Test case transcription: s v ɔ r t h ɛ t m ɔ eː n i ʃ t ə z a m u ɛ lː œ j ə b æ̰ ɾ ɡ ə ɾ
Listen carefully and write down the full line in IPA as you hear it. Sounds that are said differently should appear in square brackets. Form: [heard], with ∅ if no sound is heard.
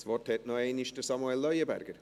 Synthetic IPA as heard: s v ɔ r t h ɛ t [n] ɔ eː n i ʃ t ə [s] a m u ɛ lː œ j ə b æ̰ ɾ ɡ ə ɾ